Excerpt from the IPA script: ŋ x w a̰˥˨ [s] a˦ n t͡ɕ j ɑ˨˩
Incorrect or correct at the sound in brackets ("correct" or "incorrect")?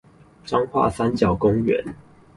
correct